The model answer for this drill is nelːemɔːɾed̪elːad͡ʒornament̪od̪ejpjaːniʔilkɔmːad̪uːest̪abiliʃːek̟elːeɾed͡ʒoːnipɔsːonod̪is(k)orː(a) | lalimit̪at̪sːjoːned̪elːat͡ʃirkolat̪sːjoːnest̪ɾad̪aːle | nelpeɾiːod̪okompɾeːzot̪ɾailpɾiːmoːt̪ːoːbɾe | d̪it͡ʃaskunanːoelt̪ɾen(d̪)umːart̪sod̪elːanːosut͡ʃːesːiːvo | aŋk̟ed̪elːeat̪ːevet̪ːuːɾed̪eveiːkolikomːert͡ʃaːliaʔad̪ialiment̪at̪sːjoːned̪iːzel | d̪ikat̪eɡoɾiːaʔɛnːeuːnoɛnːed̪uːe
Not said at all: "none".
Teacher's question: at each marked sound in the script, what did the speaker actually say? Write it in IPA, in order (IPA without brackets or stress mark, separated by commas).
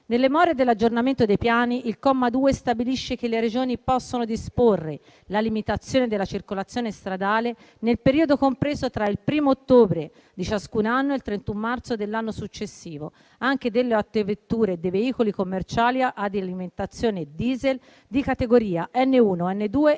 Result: p, e, t̪